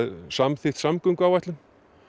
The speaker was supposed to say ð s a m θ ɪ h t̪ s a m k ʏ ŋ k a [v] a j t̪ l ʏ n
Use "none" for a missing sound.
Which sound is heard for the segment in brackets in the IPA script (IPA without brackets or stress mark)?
w